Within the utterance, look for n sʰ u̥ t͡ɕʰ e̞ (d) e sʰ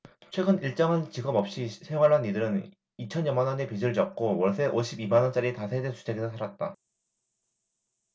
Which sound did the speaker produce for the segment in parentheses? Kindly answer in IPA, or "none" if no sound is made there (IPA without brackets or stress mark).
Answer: ɡ